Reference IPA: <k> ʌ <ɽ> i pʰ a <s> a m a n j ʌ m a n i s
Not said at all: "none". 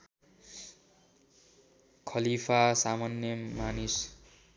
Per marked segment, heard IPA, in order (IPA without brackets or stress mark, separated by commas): kʰ, l, s